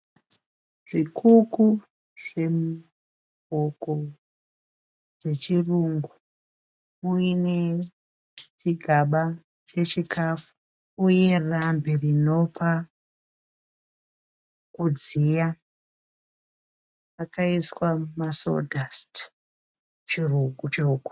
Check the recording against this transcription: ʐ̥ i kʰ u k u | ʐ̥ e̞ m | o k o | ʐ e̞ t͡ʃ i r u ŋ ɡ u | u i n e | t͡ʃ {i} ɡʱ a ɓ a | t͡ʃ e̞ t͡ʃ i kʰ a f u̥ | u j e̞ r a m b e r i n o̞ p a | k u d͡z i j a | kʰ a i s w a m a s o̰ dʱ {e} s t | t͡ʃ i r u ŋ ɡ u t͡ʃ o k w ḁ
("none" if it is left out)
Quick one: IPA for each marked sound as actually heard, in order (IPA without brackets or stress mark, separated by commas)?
i, a